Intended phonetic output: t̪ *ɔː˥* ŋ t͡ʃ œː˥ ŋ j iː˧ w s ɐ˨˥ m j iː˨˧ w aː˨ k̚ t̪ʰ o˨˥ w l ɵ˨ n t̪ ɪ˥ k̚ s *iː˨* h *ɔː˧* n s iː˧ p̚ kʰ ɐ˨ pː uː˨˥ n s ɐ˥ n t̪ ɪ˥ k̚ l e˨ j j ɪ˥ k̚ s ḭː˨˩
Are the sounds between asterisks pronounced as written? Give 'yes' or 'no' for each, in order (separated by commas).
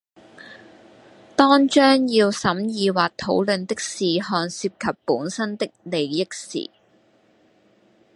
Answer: yes, yes, yes